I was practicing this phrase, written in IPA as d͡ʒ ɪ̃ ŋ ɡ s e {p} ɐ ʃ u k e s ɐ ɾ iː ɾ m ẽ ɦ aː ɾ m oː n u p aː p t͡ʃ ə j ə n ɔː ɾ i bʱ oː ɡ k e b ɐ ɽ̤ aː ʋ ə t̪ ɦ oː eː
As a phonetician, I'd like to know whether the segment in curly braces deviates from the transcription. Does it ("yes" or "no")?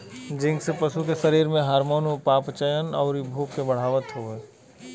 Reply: no